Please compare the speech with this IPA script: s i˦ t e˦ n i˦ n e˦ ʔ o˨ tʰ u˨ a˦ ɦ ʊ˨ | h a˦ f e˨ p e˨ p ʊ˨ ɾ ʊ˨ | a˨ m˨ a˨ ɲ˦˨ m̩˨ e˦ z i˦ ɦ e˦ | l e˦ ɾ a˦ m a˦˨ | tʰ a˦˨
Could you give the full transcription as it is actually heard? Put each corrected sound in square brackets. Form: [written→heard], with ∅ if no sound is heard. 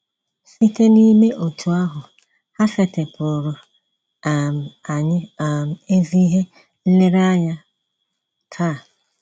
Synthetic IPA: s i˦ t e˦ n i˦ [n→m] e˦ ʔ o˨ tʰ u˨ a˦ ɦ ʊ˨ | h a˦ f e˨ [p→t] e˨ p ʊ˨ ɾ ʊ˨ | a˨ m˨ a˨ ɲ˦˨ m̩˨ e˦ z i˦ ɦ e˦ | l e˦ ɾ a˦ [m→ɲ] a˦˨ | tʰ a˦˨